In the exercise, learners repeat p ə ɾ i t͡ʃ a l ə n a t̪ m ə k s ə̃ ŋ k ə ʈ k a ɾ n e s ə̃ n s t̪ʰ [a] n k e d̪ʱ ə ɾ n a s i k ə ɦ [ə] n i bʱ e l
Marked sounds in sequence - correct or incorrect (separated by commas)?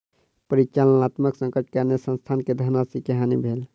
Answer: correct, incorrect